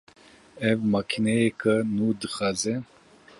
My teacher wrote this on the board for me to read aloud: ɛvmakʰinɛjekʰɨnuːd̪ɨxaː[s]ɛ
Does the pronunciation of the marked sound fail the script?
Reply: yes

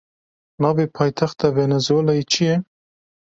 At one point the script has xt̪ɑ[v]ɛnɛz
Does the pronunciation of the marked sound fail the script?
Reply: no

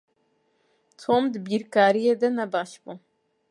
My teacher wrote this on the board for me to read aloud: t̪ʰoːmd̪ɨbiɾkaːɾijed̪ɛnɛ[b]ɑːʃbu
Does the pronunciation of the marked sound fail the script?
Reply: no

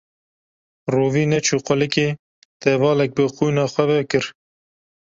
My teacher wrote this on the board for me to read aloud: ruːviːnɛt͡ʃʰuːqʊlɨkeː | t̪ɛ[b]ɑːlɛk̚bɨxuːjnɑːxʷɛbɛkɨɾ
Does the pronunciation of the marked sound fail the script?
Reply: yes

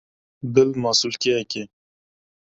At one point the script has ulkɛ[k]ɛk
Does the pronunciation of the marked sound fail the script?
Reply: yes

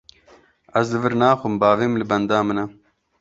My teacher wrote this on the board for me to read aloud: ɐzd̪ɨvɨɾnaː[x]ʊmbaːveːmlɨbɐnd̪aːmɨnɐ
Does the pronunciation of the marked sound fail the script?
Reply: no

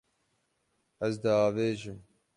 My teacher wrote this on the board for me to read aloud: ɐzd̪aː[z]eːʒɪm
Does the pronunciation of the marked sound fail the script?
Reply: yes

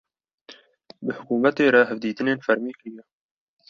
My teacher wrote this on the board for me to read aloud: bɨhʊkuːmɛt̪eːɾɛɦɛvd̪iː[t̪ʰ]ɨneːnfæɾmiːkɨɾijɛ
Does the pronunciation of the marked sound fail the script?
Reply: yes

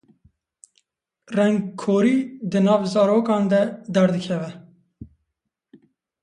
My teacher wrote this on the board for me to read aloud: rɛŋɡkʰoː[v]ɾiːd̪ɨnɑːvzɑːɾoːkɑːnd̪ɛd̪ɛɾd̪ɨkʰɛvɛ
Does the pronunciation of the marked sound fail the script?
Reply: yes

